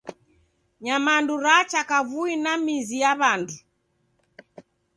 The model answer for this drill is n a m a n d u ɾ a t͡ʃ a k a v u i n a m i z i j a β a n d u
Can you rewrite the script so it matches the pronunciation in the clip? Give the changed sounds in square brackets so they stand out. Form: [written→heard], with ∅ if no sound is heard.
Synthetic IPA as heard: [n→ɲ] a m a n d u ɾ a t͡ʃ a k a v u i n a m i z i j a β a n d u

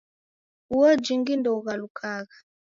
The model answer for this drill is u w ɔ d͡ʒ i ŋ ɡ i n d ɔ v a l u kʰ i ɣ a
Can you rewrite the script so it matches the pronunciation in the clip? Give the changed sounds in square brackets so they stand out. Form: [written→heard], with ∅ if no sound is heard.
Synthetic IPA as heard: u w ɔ d͡ʒ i ŋ ɡ i n d ɔ [v→ɣ] a l u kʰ [i→a] ɣ a

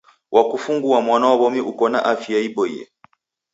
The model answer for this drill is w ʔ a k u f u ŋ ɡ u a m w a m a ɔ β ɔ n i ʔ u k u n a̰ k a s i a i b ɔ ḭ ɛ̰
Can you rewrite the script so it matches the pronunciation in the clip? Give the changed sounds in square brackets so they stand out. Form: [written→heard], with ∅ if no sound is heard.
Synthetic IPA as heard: w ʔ a k u f u ŋ ɡ u a m w a [m→n] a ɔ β ɔ [n→m] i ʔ u k [u→ɔ] n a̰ [k→ʔ] a [s→f] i a i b ɔ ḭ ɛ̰

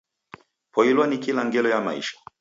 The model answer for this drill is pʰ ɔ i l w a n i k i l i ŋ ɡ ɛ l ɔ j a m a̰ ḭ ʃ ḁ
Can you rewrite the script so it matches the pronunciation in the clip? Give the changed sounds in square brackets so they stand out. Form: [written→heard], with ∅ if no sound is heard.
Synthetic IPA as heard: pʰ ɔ i l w a n i k i l [i→a] ŋ ɡ ɛ l ɔ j a m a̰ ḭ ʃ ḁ

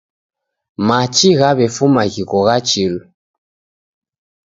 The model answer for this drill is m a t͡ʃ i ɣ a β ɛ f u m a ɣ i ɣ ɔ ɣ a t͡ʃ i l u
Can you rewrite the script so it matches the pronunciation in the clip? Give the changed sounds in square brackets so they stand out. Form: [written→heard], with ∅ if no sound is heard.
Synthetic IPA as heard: m a t͡ʃ i ɣ a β ɛ f u m a ɣ i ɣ ɔ ɣ a t͡ʃ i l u

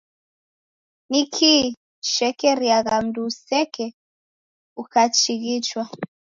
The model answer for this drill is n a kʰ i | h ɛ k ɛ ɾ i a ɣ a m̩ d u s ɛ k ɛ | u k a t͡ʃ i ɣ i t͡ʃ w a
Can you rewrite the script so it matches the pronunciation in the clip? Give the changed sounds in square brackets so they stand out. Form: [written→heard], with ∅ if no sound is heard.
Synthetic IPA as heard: n [a→i] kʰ i | [h→ʃ] ɛ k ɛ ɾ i a ɣ a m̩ d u s ɛ k ɛ | u k a t͡ʃ i ɣ i t͡ʃ w a

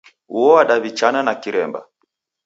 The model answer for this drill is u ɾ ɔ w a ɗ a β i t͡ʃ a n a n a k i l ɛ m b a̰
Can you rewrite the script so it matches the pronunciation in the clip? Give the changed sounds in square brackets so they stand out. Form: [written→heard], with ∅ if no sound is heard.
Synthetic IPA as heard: u [ɾ→∅] ɔ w a ɗ a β i t͡ʃ a n a n a k i [l→ɾ] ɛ m b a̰

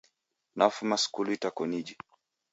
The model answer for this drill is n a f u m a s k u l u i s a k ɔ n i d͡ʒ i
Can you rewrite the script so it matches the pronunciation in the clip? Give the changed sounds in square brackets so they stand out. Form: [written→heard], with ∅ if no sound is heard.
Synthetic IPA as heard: n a f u m a s k u l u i [s→t] a k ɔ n i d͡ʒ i

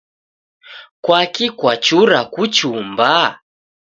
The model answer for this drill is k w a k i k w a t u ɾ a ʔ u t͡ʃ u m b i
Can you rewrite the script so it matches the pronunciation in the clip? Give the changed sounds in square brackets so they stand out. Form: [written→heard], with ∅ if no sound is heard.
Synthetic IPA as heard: k w a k i k w a [t→t͡ʃ] u ɾ a [ʔ→k] u t͡ʃ u m b [i→a]

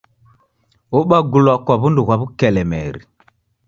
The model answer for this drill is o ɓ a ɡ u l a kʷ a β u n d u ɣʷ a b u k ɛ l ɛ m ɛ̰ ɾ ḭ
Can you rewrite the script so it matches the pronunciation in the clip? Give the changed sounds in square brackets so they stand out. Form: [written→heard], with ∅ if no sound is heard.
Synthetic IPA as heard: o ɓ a ɡ u l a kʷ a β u n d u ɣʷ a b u k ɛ l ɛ m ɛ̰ ɾ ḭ

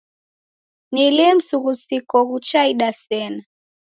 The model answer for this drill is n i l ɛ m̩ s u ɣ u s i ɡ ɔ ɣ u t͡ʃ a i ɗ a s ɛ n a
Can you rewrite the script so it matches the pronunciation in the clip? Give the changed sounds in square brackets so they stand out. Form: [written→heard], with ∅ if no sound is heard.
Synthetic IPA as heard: n i l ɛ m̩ s u ɣ u s i [ɡ→k] ɔ ɣ u t͡ʃ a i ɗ a s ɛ n a

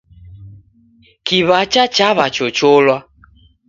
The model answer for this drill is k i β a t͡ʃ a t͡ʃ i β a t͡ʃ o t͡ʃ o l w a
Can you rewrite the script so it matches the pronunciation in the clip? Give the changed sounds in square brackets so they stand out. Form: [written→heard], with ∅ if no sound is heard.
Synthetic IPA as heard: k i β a t͡ʃ a t͡ʃ [i→a] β a t͡ʃ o t͡ʃ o l w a

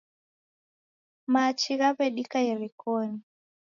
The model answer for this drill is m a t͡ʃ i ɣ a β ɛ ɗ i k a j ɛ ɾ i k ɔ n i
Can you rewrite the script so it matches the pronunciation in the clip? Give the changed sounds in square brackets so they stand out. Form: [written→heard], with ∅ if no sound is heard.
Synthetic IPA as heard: m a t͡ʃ i ɣ a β ɛ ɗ i k a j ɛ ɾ i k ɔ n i

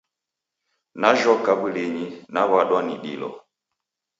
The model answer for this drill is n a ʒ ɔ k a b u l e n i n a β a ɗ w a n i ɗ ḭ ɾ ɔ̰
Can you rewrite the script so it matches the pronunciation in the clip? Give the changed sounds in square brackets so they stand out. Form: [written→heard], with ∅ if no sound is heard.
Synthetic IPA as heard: n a ʒ ɔ k a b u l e [n→ɲ] i n a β a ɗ w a n i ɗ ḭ [ɾ→l] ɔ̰

